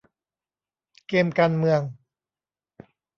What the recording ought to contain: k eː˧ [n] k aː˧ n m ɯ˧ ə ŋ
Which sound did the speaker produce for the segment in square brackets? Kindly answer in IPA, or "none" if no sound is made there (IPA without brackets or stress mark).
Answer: m